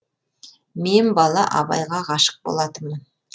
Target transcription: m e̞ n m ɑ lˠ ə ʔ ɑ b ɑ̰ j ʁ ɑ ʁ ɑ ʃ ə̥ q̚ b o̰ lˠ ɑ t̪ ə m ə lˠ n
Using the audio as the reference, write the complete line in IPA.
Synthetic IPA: m e̞ n b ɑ lˠ ɑ ʔ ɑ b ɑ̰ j ʁ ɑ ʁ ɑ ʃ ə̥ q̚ b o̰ lˠ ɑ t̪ ə m ə n